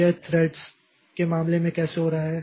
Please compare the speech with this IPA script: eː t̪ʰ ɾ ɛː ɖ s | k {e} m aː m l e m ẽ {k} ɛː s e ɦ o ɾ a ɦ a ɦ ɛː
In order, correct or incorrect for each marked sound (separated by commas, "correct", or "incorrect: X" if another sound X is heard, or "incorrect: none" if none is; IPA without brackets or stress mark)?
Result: correct, correct